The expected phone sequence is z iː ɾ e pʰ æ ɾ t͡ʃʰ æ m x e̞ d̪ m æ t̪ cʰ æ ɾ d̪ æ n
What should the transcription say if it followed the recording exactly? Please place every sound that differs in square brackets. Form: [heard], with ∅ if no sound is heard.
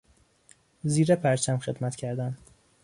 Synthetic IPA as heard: z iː ɾ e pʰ æ ɾ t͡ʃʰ æ m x e̞ d̪ m æ t̪ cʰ æ ɾ d̪ æ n